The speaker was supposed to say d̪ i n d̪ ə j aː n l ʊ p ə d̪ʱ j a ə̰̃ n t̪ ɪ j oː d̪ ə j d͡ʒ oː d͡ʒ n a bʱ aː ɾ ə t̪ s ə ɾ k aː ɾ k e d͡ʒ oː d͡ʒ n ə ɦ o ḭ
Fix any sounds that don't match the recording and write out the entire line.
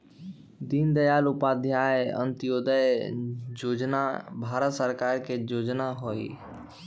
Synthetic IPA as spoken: d̪ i n d̪ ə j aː l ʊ p a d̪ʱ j a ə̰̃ n t̪ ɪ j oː d̪ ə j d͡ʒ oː d͡ʒ n a bʱ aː ɾ ə t̪ s ə ɾ k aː ɾ k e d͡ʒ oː d͡ʒ n a ɦ o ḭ